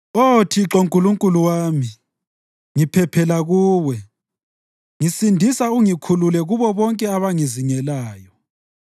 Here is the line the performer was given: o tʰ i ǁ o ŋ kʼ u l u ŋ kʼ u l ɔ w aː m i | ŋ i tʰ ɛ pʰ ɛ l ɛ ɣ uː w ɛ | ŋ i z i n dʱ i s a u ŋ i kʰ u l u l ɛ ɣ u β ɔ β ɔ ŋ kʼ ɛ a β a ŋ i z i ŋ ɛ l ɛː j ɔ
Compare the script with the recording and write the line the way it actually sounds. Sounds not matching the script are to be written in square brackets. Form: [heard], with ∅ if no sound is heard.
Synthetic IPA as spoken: o tʰ i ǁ o ŋ kʼ u l u ŋ kʼ u l [u] w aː m i | ŋ i [pʰ] ɛ pʰ ɛ l [a] ɣ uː w ɛ | ŋ i [s] i n dʱ i s a u ŋ i kʰ u l u l ɛ ɣ u β ɔ β ɔ ŋ kʼ ɛ a β a ŋ i z i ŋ ɛ l [aː] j ɔ

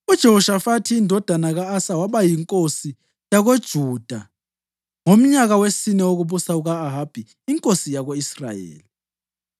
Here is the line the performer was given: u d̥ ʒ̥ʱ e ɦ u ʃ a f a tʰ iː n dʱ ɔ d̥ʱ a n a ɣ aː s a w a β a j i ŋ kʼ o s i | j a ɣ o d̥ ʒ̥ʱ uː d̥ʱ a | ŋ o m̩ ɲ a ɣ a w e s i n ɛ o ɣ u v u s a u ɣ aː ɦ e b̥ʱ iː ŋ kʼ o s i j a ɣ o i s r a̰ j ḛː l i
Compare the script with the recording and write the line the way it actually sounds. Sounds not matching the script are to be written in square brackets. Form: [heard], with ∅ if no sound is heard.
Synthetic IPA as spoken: u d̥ ʒ̥ʱ e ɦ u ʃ a f a tʰ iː n dʱ ɔ d̥ʱ a n a ɣ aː s a w a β a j i ŋ kʼ o s i | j a ɣ o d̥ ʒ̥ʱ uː d̥ʱ a | ŋ o m̩ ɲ a ɣ a w e s i n ɛ o ɣ u [β] u s a u ɣ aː ɦ [a] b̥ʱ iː ŋ kʼ o s i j a ɣ o i s r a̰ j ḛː l i

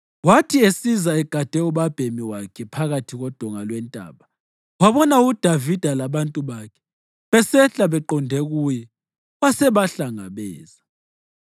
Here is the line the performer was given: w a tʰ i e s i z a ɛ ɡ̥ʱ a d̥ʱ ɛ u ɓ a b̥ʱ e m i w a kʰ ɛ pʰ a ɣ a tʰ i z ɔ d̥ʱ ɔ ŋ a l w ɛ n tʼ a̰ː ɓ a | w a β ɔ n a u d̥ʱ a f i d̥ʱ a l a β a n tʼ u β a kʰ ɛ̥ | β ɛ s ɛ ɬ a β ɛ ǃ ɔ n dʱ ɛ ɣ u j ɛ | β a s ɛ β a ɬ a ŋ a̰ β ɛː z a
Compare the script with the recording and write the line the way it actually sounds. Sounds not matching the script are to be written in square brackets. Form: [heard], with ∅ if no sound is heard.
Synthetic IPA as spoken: w a tʰ i e s i z a ɛ ɡ̥ʱ a d̥ʱ ɛ u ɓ a b̥ʱ e m i w a kʰ ɛ pʰ a ɣ a tʰ i [ɣ] ɔ d̥ʱ ɔ ŋ a l w ɛ n tʼ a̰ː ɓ a | w a β ɔ n a u d̥ʱ a [v] i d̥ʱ a l a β a n tʼ u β a kʰ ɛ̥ | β ɛ s ɛ ɬ a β ɛ ǃ ɔ n dʱ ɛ ɣ u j ɛ | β a s ɛ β a ɬ a ŋ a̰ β ɛː z a

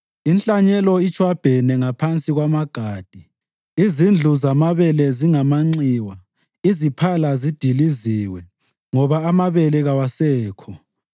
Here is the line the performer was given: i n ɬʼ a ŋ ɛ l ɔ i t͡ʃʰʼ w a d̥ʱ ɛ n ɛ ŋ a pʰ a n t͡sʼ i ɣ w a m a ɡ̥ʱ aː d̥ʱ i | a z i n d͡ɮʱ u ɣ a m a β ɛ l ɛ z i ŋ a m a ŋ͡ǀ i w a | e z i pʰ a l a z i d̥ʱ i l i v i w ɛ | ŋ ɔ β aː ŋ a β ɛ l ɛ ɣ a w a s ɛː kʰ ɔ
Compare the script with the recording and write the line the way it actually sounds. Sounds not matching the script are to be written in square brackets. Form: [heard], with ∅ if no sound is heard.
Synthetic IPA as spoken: i n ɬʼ a [ɲ] ɛ l ɔ i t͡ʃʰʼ w a [b̥ʱ] ɛ n ɛ ŋ a pʰ a n t͡sʼ i ɣ w a m a ɡ̥ʱ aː d̥ʱ i | [i] z i n d͡ɮʱ u [z] a m a β ɛ l ɛ z i ŋ a m a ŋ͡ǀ i w a | [i] z i pʰ a l a z i d̥ʱ i l i [z] i w ɛ | ŋ ɔ β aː [m] a β ɛ l ɛ ɣ a w a s ɛː kʰ ɔ

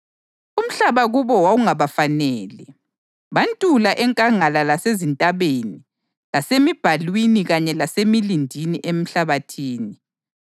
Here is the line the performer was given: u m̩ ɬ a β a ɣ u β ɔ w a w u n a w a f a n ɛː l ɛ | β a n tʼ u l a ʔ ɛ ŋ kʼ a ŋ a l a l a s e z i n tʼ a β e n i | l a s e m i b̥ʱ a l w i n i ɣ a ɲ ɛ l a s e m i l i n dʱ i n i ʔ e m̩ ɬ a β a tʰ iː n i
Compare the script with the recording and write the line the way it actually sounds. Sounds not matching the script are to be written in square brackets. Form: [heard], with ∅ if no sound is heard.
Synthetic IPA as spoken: u m̩ ɬ a β a ɣ u β ɔ w a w u [ŋ] a [β] a f a n ɛː l ɛ | β a n tʼ u l a ʔ ɛ ŋ kʼ a ŋ a l a l a s e z i n tʼ a β e n i | l a s e m i b̥ʱ a l w i n i ɣ a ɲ ɛ l a s e m i l i n dʱ i n i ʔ e m̩ ɬ a β a tʰ iː n i

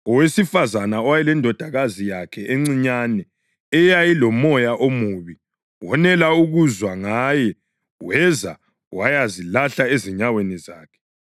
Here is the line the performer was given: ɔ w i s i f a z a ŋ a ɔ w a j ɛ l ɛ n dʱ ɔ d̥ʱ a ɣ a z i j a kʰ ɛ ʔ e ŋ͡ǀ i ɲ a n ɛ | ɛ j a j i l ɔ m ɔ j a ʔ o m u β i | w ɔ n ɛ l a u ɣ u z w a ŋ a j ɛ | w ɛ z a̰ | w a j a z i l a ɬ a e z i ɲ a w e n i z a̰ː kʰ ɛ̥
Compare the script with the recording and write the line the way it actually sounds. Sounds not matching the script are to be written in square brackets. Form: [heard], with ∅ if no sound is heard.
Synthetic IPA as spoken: ɔ w [e] s i f a z a [n] a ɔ w a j ɛ l ɛ n dʱ ɔ d̥ʱ a ɣ a z i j a kʰ ɛ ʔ e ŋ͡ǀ i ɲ a n ɛ | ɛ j a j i l ɔ m ɔ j a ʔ o m u β i | w ɔ n ɛ l a u ɣ u z w a ŋ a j ɛ | w ɛ z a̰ | w a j a z i l a ɬ a e z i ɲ a w e n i z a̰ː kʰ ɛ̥

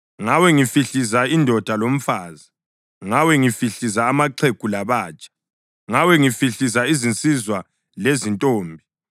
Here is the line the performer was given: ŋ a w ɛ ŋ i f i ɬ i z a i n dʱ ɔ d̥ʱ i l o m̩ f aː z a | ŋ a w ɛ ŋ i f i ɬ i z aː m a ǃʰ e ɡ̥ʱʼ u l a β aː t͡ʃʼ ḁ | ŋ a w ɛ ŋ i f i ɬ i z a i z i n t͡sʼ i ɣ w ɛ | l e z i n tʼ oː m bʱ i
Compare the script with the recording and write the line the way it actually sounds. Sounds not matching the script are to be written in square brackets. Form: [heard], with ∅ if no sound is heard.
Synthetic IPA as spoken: ŋ a w ɛ ŋ i f i ɬ i z a i n dʱ ɔ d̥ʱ [a] l o m̩ f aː z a | ŋ a w ɛ ŋ i f i ɬ i z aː m a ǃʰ e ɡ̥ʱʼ u l a β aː t͡ʃʼ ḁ | ŋ a w ɛ ŋ i f i ɬ i z a i z i n t͡sʼ i [z] w [a] | l e z i n tʼ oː m bʱ i

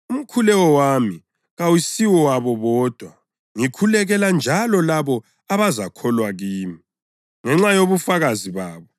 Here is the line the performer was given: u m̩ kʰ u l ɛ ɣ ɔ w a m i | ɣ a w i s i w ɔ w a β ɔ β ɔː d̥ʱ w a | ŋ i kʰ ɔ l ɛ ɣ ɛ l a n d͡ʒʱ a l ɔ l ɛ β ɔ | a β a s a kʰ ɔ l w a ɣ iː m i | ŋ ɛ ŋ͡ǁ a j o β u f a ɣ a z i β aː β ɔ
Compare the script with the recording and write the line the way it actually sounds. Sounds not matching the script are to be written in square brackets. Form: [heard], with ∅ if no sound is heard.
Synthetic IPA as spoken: u m̩ kʰ u l ɛ ɣ ɔ w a m i | ɣ a w i s i w ɔ w a β ɔ β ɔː d̥ʱ w a | ŋ i kʰ [u] l ɛ ɣ ɛ l a n d͡ʒʱ a l ɔ l [a] β ɔ | a β a [z] a kʰ ɔ l w a ɣ iː m i | ŋ ɛ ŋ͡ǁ a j o β u f a ɣ a z i β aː β ɔ

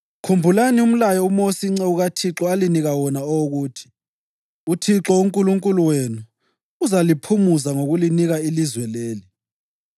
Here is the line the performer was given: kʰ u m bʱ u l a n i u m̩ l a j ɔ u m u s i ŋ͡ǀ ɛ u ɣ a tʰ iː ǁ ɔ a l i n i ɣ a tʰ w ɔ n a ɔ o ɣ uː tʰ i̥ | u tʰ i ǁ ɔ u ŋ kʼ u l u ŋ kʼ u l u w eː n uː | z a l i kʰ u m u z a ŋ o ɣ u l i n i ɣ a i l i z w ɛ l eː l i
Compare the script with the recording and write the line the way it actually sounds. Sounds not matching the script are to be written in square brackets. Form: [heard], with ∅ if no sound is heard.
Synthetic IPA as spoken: kʰ u m bʱ u l a n i u m̩ l a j ɔ u m [o] s i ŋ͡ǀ ɛ u ɣ a tʰ [i] ǁ ɔ a l i n i ɣ a [∅] w ɔ n a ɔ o ɣ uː tʰ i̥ | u tʰ i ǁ ɔ u ŋ kʼ u l u ŋ kʼ u l u w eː n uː | z a l i [pʰ] u m u z a ŋ o ɣ u l i n i ɣ a i l i z w ɛ l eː l i

